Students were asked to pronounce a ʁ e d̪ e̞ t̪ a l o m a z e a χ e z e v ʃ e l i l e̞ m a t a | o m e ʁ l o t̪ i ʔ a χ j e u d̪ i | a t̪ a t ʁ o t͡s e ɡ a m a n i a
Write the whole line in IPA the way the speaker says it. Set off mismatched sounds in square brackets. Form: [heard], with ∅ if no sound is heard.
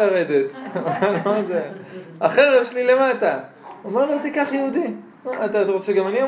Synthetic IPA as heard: a ʁ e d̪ e̞ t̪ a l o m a z e a χ e [ʁ] e v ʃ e l i l e̞ m a t a | o m e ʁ l o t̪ i [k] a χ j e u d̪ i | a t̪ a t ʁ o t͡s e ɡ a m a n i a